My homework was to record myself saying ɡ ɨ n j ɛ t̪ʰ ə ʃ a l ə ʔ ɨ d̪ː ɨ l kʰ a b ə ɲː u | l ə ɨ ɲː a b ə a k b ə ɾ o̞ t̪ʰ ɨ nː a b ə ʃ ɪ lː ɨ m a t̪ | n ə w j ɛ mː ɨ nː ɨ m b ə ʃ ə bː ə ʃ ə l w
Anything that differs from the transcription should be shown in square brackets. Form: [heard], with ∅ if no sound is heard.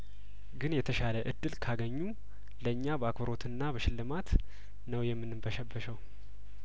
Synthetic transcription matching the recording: ɡ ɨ n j ɛ t̪ʰ ə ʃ a l ə ʔ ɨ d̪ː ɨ l kʰ a [ɡ] ə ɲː u | l ə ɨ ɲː a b ə a k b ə ɾ o̞ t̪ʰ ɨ nː a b ə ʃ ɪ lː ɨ m a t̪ | n ə w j ɛ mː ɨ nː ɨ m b ə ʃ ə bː ə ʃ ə [∅] w